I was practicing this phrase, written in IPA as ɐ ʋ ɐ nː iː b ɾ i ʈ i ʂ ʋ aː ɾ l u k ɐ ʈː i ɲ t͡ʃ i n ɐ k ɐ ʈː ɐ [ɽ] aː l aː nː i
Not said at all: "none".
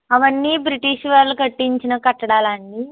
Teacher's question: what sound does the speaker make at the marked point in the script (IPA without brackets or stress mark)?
ɽ